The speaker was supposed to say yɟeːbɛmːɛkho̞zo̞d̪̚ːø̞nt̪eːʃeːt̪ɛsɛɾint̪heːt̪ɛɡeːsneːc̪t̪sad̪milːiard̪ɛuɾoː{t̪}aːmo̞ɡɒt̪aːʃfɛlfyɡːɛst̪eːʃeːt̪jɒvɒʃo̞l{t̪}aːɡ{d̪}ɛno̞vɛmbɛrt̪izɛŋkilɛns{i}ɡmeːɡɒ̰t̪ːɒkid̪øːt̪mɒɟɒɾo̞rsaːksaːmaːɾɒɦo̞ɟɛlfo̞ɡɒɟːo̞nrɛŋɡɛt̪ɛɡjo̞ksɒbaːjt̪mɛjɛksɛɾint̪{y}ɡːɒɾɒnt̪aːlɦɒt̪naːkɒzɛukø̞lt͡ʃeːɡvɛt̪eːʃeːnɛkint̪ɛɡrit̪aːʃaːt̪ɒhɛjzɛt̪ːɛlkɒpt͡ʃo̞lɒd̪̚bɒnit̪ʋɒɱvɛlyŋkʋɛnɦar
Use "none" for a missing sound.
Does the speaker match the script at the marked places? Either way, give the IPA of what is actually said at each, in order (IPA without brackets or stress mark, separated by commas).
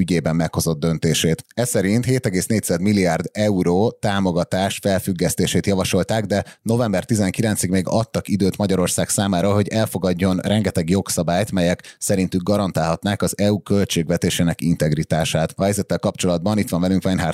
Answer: t̪, t̪, d̪, i, y